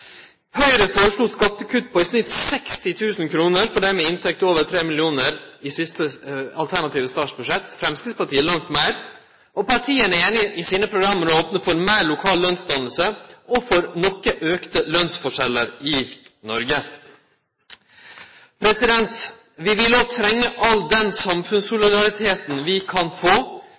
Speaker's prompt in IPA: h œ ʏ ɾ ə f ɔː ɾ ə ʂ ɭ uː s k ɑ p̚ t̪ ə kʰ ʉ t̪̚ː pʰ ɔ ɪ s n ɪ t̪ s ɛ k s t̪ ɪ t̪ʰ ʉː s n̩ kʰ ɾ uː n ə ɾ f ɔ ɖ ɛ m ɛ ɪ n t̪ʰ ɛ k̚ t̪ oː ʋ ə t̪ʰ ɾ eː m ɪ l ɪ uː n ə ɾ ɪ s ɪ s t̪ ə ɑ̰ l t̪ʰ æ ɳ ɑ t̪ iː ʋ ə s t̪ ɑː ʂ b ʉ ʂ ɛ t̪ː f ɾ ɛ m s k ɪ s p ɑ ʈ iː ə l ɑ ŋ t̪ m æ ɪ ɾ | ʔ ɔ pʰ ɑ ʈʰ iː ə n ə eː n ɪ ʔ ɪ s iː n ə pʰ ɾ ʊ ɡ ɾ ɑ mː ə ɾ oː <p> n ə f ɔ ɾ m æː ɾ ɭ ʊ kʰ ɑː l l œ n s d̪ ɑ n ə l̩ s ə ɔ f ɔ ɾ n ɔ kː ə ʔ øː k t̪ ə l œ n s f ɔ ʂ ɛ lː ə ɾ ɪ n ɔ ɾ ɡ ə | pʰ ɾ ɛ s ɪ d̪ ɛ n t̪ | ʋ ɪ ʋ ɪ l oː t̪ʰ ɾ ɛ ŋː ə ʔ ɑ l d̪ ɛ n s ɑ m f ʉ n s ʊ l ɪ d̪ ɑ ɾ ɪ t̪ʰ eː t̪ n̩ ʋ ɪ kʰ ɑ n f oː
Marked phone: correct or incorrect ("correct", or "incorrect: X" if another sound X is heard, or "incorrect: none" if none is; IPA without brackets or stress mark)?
correct